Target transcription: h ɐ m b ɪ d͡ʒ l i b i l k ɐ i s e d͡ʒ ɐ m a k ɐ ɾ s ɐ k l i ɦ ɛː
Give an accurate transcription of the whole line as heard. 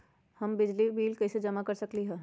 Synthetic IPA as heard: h ɐ m b ɪ d͡ʒ l i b iː l k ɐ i s e d͡ʒ ɐ m a k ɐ ɾ s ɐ k l i ɦ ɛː